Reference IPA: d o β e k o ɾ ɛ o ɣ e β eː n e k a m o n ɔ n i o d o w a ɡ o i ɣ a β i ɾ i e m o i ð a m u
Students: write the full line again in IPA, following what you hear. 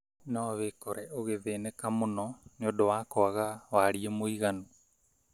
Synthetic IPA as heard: n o β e k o ɾ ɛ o ɣ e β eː n e k a m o n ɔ n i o d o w a k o a ɣ a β a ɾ i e m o i ɣ a n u